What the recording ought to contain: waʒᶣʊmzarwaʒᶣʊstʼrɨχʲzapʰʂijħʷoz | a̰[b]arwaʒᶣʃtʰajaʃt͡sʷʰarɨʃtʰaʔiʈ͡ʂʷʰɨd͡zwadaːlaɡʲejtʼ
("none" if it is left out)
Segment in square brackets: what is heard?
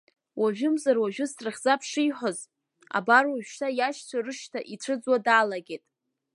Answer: b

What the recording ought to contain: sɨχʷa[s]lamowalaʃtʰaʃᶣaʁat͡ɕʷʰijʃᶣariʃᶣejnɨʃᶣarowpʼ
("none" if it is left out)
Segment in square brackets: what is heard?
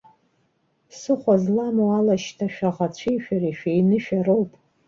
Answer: z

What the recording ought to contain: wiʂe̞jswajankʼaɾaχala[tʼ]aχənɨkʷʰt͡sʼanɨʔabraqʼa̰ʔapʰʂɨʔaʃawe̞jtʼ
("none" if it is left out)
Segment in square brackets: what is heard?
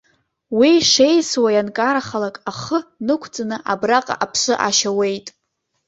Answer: kʼ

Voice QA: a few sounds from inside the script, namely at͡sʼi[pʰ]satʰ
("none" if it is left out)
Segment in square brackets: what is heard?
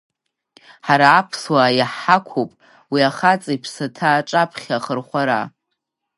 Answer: pʰ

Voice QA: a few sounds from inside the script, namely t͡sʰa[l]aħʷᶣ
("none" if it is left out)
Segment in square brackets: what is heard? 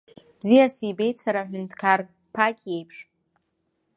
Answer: ɾ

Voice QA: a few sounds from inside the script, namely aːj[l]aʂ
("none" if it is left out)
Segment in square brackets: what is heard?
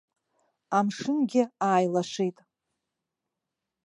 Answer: l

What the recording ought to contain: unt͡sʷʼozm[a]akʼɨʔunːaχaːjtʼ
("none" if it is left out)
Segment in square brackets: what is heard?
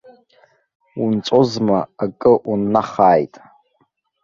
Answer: a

